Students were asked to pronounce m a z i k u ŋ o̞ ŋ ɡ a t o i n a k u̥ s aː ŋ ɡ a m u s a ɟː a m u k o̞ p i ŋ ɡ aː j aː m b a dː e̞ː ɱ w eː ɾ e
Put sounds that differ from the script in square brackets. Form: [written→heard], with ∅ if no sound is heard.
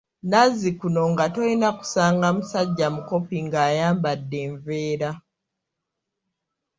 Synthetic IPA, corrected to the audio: [m→n] a z i k u [ŋ→n] o̞ ŋ ɡ a t o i n a k u̥ s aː ŋ ɡ a m u s a ɟː a m u k o̞ p i ŋ ɡ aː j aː m b a dː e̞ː ɱ [w→v] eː ɾ [e→a]